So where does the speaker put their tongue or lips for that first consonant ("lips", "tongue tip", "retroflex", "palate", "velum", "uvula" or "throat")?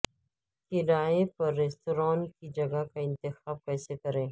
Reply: velum